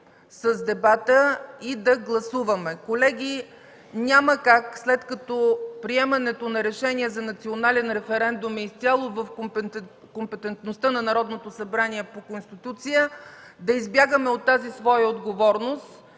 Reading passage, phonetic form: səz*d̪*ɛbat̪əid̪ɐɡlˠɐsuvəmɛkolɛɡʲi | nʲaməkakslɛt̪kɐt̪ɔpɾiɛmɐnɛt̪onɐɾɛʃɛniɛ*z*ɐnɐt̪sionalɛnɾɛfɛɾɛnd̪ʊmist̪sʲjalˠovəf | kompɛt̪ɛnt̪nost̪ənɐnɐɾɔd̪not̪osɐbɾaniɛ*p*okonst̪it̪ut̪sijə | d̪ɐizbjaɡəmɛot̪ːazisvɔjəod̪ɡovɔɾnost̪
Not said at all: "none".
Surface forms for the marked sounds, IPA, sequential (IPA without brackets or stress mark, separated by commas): d̪, z, p